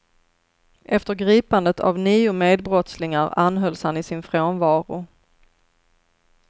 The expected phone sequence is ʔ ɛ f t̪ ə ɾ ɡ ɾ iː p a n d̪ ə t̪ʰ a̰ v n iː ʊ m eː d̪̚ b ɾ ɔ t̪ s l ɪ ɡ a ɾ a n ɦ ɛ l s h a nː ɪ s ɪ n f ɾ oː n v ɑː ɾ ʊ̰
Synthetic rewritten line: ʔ ɛ f t̪ ə ɾ ɡ ɾ iː p a n d̪ ə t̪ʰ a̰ v n iː ʊ m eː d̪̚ b ɾ ɔ t̪ s l ɪ ŋ a ɾ a n ɦ œ l s h a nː ɪ s ɪ n f ɾ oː n v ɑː ɾ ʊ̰

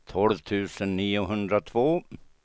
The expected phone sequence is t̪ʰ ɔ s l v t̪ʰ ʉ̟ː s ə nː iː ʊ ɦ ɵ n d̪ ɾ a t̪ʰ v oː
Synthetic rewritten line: t̪ʰ ɔ l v t̪ʰ ʉ̟ː s ə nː iː ʊ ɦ ɵ n d̪ ɾ a t̪ʰ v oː

